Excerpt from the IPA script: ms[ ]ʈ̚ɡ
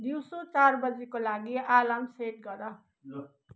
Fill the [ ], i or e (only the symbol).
e